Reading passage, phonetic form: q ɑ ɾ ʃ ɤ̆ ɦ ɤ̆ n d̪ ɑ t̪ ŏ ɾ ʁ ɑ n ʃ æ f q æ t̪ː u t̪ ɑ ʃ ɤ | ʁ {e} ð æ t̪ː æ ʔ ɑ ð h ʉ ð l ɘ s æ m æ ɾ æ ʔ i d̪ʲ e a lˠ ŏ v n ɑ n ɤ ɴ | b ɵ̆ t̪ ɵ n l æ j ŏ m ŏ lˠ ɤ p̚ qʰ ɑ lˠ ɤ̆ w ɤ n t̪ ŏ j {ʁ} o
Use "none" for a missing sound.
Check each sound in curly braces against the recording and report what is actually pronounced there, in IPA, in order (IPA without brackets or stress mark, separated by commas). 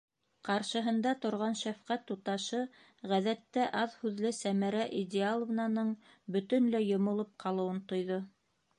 æ, ð